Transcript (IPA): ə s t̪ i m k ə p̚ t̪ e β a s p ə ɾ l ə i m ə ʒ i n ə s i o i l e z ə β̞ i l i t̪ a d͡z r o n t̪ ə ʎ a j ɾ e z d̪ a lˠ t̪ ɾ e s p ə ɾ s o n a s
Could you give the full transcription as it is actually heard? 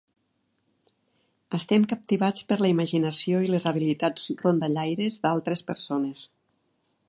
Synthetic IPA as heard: ə s t̪ ɛ m k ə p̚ t̪ i β a t͡s p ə ɾ l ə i m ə ʒ i n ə s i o i l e z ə β̞ i l i t̪ a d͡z r o n d̪ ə ʎ a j ɾ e z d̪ a lˠ t̪ ɾ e s p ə ɾ s o n e s